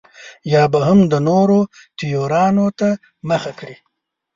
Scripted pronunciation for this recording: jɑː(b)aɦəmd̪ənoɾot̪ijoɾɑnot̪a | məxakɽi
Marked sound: correct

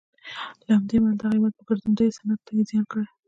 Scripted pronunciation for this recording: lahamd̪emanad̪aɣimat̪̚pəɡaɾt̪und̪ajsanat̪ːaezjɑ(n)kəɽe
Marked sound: correct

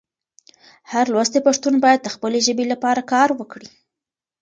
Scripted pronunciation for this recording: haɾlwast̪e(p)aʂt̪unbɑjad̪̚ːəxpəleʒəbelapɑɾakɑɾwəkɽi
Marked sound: correct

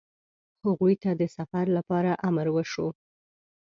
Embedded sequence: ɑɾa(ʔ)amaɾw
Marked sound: correct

